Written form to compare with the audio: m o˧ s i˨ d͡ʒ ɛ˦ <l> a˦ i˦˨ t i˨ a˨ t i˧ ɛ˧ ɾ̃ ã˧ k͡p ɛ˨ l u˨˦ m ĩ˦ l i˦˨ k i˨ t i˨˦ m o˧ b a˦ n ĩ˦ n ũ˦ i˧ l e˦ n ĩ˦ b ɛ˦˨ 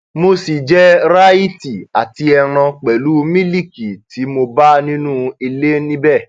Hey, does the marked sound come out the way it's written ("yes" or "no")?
no